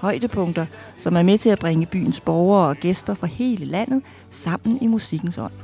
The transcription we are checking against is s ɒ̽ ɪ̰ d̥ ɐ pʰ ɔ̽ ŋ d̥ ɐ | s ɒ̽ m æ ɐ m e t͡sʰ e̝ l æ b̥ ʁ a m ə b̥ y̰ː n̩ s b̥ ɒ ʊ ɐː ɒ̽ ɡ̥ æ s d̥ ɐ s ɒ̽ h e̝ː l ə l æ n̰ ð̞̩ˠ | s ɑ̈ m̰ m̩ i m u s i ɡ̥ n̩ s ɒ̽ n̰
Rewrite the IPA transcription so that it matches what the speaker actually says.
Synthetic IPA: h ɒ̽ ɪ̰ d̥ ə pʰ ɔ̽ ŋ d̥ ɐ | s ɒ̽ m æ ɐ m e t͡sʰ e̝ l æ b̥ ʁ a ŋ ə b̥ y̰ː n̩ s b̥ ɒ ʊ ɐː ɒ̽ ɡ̥ e s d̥ ɐ f ɒ̽ h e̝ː l ə l æ n̰ ð̞̩ˠ | s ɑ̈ m̰ n̩ i m u s i ɡ̥ n̩ s ɒ̽ n̰